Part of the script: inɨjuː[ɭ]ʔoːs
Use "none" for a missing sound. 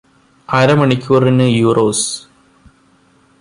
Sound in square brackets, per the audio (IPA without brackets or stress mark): r